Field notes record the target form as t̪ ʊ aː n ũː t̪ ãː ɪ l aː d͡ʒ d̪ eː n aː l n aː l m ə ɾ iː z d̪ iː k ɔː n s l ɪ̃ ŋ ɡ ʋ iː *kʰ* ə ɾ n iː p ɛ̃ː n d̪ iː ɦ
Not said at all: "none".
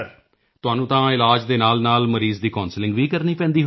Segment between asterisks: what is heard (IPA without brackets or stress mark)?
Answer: k